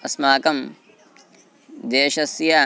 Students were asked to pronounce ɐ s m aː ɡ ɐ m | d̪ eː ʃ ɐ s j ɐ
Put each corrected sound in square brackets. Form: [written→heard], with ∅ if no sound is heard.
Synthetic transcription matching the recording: ɐ s m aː [ɡ→k] ɐ m | d̪ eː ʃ ɐ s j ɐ